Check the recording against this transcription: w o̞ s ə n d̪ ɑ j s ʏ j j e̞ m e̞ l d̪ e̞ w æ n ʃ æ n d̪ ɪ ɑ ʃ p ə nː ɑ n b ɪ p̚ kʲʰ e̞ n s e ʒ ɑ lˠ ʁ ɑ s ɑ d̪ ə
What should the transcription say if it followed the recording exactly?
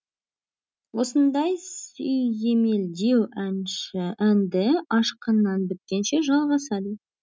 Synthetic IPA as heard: w o̞ s ə n d̪ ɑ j s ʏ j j e̞ m e̞ l d̪ e̞ w æ n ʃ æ n d̪ ɪ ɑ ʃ q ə nː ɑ n b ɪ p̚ kʲ e̞ n ʃ e ʒ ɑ lˠ ʁ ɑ s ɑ d̪ ə